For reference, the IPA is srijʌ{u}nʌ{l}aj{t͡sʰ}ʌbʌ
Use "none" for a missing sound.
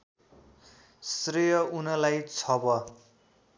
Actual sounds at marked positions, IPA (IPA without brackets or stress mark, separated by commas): u, l, t͡sʰ